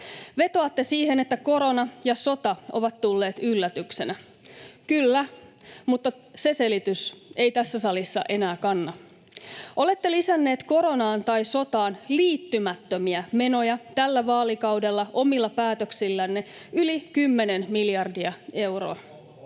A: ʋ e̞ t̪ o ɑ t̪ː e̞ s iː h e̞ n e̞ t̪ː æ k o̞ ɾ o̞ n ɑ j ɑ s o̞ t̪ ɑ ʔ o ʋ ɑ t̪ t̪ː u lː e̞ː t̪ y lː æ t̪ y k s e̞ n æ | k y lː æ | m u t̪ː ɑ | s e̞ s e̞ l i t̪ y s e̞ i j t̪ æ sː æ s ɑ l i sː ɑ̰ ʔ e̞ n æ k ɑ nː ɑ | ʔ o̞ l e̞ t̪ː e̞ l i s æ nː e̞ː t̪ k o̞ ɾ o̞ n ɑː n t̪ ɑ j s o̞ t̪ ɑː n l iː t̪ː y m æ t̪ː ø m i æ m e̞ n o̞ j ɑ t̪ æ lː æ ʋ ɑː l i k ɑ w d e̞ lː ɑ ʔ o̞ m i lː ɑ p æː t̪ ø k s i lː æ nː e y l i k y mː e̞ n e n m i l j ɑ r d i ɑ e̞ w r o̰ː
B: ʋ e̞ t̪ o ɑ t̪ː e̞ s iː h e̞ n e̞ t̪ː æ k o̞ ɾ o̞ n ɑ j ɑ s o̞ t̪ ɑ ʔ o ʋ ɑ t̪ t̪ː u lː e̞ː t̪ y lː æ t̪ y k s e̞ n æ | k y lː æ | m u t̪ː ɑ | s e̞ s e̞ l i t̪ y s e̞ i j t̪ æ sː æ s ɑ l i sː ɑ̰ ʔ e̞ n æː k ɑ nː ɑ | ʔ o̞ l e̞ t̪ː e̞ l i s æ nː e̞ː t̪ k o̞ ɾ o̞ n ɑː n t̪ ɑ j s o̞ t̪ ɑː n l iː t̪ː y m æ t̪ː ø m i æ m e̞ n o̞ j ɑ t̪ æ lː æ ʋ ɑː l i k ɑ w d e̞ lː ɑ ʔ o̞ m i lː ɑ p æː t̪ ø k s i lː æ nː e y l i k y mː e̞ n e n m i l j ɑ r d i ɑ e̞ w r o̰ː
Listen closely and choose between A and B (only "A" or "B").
B